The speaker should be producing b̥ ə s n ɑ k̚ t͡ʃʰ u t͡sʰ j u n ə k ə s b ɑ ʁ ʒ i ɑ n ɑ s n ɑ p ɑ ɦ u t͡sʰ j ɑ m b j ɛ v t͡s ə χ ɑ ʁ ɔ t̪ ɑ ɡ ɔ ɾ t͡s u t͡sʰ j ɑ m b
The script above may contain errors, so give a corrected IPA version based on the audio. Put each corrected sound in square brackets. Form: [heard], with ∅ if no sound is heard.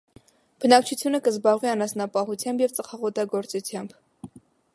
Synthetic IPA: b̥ ə [∅] n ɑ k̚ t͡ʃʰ u t͡sʰ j u n ə k ə [z] b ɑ ʁ [v] i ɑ n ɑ s n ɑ p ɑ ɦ u t͡sʰ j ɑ m b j ɛ v t͡s ə χ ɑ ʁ ɔ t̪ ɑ ɡ ɔ ɾ t͡s u t͡sʰ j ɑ m b